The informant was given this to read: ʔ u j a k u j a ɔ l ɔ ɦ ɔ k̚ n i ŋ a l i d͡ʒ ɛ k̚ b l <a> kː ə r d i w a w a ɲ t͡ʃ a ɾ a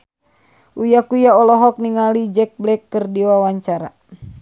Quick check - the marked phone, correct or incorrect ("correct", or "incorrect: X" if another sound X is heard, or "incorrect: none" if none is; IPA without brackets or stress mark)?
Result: incorrect: ɛ